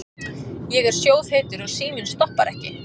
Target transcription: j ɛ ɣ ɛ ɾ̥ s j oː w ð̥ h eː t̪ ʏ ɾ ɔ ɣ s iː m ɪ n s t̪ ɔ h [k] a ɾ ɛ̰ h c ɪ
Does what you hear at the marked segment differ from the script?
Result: yes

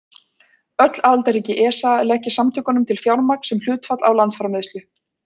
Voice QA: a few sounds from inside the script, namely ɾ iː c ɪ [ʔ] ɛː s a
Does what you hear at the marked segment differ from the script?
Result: no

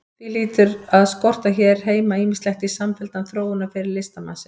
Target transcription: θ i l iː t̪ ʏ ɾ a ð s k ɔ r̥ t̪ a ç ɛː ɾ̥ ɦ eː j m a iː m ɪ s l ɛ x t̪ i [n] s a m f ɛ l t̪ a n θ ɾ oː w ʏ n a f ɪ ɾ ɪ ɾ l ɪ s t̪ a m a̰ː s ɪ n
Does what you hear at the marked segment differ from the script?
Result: yes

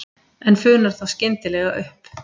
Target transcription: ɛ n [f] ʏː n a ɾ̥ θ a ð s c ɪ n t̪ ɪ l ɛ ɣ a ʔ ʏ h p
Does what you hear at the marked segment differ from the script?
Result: no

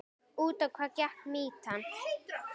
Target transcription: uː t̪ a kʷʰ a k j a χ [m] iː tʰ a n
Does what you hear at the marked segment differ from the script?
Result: no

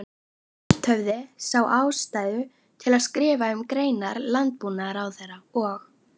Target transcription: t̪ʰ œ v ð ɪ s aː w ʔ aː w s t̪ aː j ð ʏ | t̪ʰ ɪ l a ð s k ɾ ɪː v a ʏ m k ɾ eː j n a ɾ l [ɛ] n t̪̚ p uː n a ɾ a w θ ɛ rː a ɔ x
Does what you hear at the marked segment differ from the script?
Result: yes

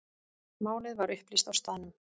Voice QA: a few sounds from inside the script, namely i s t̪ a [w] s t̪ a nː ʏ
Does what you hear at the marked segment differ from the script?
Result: no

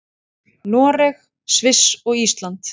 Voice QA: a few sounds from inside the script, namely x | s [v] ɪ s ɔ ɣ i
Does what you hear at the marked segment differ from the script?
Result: no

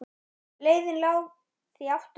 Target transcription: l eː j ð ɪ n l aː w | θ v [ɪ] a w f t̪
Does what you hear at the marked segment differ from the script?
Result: yes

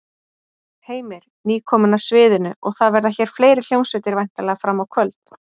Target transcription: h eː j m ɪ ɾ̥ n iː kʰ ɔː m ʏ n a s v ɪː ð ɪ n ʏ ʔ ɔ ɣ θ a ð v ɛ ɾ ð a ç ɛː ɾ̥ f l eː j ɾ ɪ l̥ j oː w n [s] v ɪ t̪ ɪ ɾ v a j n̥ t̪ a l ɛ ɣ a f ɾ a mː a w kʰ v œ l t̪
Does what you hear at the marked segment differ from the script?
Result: no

